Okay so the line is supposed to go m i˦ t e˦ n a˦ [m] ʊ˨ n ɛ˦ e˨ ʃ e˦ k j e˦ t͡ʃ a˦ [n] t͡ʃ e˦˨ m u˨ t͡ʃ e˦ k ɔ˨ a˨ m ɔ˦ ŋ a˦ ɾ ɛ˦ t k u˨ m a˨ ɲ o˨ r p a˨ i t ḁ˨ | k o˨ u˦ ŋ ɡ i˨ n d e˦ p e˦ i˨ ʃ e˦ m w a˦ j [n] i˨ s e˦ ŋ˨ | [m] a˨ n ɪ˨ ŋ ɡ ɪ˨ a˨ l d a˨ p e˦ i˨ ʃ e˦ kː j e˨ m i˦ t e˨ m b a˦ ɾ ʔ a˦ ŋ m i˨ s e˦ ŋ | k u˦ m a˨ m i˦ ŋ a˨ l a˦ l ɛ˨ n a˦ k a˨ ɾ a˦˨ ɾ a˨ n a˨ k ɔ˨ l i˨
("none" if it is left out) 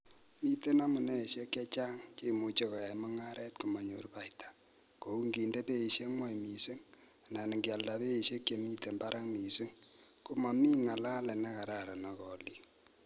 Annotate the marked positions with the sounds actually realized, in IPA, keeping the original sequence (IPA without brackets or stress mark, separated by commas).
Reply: m, ŋ, m, n